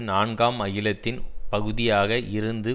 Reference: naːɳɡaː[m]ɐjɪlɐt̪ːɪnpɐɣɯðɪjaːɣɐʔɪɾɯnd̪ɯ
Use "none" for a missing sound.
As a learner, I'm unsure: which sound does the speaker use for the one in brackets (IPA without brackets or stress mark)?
m